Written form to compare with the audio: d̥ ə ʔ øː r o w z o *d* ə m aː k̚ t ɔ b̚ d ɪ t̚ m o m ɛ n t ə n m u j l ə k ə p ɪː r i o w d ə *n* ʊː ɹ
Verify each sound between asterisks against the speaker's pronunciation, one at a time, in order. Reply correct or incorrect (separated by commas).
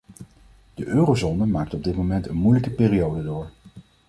incorrect, incorrect